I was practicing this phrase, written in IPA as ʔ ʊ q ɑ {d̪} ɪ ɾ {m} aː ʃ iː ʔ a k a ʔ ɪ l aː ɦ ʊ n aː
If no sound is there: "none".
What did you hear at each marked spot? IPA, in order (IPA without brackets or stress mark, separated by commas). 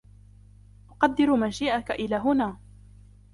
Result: d̪ː, m